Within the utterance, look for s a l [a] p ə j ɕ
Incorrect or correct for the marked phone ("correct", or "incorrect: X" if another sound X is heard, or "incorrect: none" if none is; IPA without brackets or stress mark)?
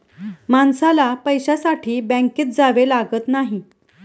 correct